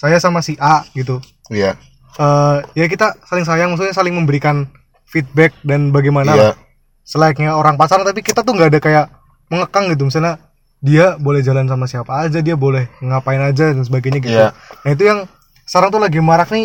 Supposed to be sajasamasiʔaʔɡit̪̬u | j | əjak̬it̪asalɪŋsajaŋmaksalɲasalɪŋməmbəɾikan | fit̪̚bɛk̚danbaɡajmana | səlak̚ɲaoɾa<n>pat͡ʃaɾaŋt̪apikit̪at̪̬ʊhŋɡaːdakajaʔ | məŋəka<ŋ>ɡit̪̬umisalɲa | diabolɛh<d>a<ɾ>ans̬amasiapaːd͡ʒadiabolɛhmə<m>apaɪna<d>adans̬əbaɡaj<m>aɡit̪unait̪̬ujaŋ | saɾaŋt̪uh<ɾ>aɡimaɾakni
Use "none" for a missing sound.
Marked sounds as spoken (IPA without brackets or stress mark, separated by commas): ŋ, ŋ, d͡ʒ, l, ŋ, d͡ʒ, ɲ, l